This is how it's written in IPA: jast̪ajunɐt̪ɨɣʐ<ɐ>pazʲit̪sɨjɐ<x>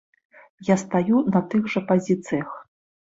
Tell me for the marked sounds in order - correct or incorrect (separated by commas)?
correct, correct